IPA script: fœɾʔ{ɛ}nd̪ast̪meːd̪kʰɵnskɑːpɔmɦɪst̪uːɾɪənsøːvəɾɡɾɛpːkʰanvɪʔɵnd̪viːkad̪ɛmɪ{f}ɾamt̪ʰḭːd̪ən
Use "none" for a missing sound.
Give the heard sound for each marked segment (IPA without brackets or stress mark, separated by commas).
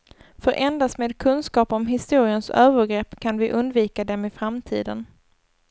ɛ, f